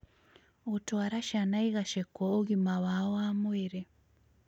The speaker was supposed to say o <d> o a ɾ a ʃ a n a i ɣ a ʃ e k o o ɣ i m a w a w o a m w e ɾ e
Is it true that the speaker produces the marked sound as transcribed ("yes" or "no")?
no